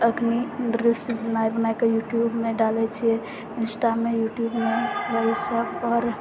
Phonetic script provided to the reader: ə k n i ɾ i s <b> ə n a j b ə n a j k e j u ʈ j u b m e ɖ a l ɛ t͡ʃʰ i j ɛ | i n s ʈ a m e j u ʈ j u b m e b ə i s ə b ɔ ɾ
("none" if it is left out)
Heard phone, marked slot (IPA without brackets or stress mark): b